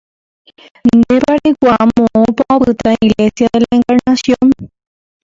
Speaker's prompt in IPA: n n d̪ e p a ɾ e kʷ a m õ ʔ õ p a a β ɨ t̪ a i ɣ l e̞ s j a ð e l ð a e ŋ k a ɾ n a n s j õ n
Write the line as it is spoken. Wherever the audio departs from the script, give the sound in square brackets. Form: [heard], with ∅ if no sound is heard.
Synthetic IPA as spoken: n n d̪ e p a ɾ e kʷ a m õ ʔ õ p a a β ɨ t̪ a i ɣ l e̞ s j a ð e l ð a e ŋ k a ɾ n a [∅] s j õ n